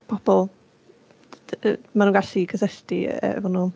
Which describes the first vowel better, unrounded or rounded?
rounded